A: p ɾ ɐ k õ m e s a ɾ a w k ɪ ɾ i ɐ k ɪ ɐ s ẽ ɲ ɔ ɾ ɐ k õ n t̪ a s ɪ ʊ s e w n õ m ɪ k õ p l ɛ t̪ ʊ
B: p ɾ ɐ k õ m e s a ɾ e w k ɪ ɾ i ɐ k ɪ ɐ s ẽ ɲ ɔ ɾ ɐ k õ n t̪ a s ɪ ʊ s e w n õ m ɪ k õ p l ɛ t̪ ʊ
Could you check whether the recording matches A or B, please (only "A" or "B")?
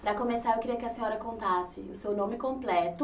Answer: B